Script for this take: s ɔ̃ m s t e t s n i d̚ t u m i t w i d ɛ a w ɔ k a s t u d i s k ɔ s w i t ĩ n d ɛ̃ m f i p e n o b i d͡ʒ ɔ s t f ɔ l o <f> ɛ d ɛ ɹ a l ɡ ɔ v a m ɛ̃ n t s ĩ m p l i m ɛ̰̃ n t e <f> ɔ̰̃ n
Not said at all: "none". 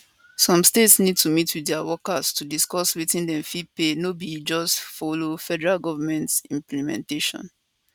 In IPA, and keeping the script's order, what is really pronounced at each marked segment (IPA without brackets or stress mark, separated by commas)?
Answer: f, ʃ